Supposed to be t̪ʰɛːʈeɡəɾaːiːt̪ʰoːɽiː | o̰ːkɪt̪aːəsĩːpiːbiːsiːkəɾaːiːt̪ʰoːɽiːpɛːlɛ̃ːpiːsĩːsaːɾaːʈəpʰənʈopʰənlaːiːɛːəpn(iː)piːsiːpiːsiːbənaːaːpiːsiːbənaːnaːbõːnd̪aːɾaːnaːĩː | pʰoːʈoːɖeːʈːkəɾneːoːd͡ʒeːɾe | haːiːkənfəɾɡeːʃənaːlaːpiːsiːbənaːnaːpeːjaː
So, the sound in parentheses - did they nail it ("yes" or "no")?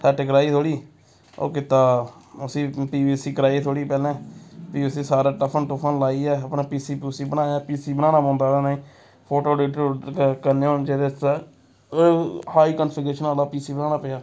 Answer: no